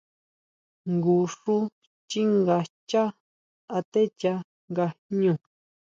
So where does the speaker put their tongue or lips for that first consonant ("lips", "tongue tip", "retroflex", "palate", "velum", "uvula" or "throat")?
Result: velum